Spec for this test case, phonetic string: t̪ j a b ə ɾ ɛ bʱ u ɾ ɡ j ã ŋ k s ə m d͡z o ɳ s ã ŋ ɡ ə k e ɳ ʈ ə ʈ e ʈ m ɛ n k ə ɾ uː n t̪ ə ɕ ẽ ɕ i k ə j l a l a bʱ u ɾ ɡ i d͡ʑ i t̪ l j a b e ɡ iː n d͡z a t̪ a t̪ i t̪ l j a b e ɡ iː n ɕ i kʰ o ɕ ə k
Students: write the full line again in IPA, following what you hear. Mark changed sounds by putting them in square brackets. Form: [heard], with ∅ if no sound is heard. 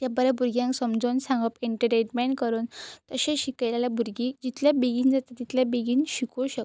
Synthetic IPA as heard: t̪ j a b ə ɾ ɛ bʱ u ɾ ɡ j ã ŋ k s ə m d͡z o [n] s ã ŋ ɡ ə [p] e ɳ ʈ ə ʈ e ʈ m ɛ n k ə ɾ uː n t̪ ə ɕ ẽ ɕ i k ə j l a l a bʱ u ɾ ɡ i d͡ʑ i t̪ l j a b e ɡ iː n d͡z a t̪ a t̪ i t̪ l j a b e ɡ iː n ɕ i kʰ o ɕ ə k

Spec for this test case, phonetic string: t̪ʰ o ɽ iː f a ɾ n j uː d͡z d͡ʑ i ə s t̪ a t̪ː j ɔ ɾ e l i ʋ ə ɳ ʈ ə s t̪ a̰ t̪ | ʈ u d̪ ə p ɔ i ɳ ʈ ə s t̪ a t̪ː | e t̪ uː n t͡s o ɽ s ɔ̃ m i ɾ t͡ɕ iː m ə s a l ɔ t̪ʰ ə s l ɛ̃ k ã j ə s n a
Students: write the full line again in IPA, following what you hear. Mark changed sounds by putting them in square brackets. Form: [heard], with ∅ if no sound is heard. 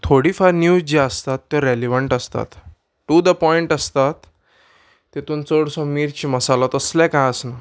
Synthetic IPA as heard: t̪ʰ o ɽ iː f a ɾ n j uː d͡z d͡ʑ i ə s t̪ a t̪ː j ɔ ɾ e l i ʋ ə ɳ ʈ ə s t̪ a̰ t̪ | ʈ u d̪ ə p ɔ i ɳ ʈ ə s t̪ a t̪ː | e t̪ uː n t͡s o ɽ s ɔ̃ m i ɾ t͡ɕ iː m ə s a l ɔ [t̪] ə s l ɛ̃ k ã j ə s n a

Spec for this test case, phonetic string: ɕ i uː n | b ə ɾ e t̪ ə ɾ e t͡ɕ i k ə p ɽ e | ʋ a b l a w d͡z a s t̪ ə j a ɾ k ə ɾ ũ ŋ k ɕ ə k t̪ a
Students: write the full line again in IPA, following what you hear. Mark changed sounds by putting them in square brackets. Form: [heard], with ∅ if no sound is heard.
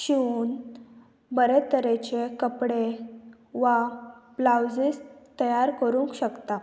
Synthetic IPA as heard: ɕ i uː n | b ə ɾ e t̪ ə ɾ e t͡ɕ [e] k ə p ɽ e | ʋ a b l a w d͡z [i] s t̪ ə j a ɾ k ə ɾ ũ ŋ k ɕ ə k t̪ a

